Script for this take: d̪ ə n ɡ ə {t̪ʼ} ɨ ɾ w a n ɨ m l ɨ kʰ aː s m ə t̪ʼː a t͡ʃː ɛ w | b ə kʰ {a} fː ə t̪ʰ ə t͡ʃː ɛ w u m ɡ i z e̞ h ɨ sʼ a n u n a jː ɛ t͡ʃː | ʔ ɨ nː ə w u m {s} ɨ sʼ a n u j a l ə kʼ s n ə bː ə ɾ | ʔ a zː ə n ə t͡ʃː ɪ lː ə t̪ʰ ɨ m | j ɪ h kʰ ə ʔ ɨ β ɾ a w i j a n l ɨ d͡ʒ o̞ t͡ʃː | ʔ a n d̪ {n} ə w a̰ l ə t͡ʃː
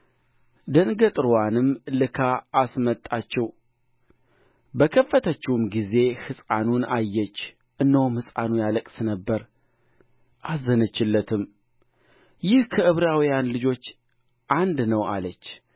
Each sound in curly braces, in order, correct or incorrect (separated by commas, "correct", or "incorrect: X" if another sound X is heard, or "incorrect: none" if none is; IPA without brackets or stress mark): correct, incorrect: ə, incorrect: h, correct